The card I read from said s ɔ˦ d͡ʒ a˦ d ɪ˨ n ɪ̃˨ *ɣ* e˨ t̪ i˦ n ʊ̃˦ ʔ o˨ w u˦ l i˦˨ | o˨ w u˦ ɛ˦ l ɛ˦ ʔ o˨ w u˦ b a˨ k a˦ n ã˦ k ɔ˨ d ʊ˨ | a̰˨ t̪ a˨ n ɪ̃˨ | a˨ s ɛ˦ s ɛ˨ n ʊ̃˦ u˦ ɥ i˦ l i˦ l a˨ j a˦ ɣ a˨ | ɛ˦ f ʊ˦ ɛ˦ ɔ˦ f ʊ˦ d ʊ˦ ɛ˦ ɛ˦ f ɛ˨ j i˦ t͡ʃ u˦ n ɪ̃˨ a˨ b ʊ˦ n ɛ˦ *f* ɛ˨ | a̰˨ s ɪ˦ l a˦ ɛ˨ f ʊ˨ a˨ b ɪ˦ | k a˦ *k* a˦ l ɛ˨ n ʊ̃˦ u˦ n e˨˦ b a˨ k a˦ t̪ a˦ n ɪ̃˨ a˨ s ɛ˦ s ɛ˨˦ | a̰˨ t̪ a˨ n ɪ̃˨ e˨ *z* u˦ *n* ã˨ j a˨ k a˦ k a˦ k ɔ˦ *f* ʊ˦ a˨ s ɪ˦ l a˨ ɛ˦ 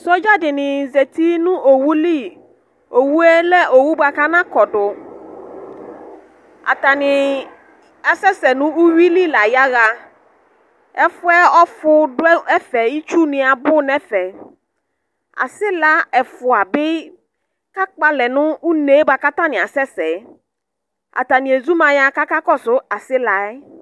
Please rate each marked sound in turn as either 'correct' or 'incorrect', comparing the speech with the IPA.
incorrect: z, correct, incorrect: k͡p, correct, incorrect: m, incorrect: s

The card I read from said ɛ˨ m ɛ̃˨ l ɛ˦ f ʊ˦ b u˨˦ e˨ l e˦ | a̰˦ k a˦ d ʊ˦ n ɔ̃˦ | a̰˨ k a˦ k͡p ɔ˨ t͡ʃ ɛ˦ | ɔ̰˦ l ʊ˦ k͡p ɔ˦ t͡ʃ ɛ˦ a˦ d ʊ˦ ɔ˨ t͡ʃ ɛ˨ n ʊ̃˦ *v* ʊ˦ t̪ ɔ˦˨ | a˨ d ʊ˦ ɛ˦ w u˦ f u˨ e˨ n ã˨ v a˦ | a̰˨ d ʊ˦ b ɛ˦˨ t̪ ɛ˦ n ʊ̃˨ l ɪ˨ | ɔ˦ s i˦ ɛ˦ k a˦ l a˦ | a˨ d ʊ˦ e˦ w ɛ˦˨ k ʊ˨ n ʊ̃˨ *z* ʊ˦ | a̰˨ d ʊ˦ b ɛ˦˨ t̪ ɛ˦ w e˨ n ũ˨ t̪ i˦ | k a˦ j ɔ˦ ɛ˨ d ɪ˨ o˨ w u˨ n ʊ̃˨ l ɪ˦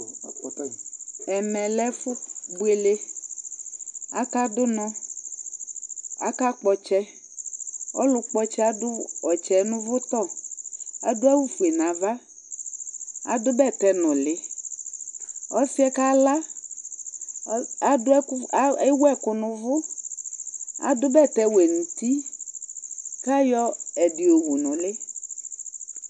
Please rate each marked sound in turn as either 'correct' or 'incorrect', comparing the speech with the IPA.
correct, incorrect: v

